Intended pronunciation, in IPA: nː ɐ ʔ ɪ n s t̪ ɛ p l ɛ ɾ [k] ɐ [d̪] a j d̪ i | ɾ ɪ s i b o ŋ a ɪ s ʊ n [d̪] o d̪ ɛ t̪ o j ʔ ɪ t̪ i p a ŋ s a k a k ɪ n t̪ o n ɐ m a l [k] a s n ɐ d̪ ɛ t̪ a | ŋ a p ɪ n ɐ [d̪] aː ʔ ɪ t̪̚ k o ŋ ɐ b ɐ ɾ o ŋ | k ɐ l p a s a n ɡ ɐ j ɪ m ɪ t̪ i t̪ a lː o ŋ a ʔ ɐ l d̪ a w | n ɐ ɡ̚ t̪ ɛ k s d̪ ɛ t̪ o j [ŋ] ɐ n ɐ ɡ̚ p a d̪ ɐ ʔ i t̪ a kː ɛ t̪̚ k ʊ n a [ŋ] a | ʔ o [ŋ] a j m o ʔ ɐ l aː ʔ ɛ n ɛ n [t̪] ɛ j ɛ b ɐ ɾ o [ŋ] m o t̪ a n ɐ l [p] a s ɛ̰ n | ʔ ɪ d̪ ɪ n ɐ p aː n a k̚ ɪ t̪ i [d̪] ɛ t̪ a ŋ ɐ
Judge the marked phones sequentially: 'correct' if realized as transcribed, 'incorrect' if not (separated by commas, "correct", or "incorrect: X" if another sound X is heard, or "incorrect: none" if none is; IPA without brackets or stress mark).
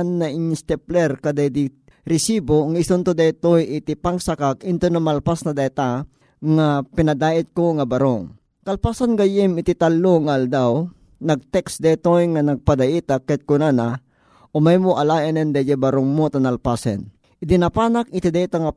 correct, correct, incorrect: t̪, incorrect: p, correct, correct, incorrect: n, incorrect: m, incorrect: d̪, correct, correct, correct